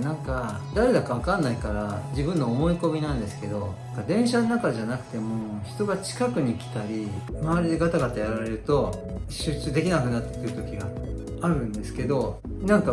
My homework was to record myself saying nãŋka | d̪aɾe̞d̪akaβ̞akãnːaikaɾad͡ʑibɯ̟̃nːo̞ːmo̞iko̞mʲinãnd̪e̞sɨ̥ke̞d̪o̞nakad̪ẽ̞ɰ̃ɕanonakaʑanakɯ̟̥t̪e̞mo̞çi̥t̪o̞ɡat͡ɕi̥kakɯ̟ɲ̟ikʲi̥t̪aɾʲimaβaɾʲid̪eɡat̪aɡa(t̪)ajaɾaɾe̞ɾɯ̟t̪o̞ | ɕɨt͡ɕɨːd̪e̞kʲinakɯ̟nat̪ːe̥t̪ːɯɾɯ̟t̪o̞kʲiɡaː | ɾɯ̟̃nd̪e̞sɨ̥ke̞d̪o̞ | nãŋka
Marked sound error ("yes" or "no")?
no